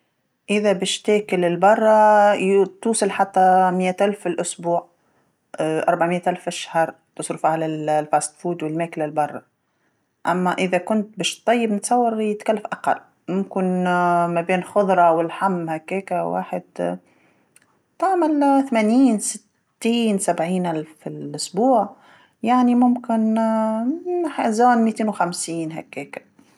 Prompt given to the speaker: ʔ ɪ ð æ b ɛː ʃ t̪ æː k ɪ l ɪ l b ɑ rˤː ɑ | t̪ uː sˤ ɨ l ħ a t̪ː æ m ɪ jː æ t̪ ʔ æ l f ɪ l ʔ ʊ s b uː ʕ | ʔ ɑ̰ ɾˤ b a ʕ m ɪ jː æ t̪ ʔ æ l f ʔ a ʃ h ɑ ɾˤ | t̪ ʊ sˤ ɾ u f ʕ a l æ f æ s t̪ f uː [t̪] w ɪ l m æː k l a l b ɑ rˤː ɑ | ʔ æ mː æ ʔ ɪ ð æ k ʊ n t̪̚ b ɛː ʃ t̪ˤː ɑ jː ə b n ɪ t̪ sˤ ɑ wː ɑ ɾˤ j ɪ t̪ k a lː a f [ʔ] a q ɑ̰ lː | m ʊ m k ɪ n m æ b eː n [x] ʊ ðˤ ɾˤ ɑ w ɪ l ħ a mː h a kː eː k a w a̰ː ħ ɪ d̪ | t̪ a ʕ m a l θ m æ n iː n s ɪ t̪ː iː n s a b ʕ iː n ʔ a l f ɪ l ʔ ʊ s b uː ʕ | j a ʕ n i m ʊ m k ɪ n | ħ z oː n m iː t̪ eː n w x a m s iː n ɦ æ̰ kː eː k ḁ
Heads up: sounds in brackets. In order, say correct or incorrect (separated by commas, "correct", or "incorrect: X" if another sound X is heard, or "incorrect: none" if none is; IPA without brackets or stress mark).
incorrect: d̪, correct, correct